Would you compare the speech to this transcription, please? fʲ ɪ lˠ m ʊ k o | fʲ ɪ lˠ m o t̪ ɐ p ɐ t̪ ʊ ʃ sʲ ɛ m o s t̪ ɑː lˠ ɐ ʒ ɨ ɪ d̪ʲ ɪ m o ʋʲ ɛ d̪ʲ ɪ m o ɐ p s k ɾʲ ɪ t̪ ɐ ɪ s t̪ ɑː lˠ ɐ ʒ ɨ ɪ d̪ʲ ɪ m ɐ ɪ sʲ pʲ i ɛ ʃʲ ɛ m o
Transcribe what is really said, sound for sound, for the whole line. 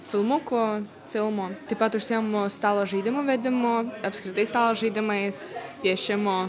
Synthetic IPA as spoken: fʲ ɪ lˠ m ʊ k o | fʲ ɪ lˠ m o t̪ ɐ p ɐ t̪ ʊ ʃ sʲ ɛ m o s t̪ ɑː lˠ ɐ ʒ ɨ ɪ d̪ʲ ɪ m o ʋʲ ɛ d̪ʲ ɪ m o ɐ p s k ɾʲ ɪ t̪ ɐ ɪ s t̪ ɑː lˠ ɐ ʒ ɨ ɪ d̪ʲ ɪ m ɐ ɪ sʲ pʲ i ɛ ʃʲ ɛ m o